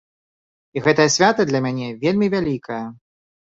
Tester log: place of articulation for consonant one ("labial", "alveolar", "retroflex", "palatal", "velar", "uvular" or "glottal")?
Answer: velar